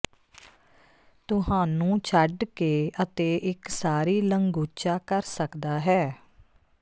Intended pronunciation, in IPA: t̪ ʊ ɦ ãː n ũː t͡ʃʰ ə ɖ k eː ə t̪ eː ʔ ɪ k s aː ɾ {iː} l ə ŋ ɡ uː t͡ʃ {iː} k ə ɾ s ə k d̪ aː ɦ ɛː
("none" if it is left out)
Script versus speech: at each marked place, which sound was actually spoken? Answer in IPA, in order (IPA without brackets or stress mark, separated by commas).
iː, aː